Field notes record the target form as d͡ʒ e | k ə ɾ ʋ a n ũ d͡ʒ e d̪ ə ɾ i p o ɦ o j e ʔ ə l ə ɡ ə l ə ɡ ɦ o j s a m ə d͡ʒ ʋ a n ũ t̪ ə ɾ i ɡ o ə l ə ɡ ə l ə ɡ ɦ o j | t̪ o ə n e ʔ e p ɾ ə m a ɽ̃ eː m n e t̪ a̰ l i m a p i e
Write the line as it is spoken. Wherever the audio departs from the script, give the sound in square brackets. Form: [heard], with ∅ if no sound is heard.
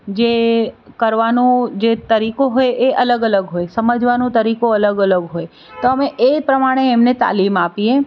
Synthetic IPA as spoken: d͡ʒ e | k ə ɾ ʋ a n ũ d͡ʒ e [t̪] ə ɾ i [k] o ɦ o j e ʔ ə l ə ɡ ə l ə ɡ ɦ o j s [ə] m ə d͡ʒ ʋ a n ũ t̪ ə ɾ i [k] o ə l ə ɡ ə l ə ɡ ɦ o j | t̪ o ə [m] e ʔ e p ɾ ə m a ɽ̃ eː m n e t̪ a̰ l i m a p i e